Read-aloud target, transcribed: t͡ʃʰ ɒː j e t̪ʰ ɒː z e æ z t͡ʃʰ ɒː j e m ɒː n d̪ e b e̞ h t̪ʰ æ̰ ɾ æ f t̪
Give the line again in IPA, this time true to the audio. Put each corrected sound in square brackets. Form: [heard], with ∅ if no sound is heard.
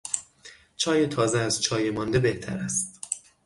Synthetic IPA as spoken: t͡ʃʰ ɒː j e t̪ʰ ɒː z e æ z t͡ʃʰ ɒː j e m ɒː n d̪ e b e̞ h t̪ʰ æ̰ ɾ æ [s] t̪